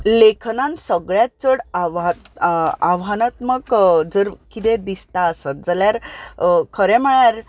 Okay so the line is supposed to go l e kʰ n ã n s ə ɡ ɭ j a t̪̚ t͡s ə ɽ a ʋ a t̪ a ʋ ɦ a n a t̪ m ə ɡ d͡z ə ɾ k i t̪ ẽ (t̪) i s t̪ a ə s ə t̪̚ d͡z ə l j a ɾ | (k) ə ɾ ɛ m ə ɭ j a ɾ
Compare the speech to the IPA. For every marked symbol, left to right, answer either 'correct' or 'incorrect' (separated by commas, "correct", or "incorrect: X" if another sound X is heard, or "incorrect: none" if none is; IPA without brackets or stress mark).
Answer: incorrect: d̪, incorrect: kʰ